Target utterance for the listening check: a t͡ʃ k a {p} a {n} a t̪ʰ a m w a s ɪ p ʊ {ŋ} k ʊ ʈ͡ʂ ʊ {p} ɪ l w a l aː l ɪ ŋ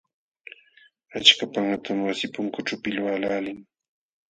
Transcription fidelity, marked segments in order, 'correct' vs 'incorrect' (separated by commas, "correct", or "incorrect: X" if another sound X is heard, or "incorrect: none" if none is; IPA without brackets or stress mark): correct, incorrect: ŋ, correct, correct